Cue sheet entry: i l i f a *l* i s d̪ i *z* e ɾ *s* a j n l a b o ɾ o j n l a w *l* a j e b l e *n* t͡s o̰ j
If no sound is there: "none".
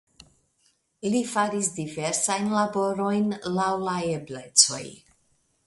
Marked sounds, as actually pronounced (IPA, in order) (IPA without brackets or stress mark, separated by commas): ɾ, v, s, l, none